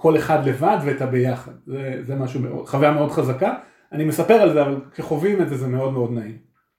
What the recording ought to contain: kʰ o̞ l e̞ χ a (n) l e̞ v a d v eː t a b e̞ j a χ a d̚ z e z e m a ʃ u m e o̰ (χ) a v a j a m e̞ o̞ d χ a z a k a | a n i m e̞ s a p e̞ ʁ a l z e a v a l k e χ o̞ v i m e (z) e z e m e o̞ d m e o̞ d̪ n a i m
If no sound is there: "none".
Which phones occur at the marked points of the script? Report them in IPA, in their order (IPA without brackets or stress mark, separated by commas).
d, χ, z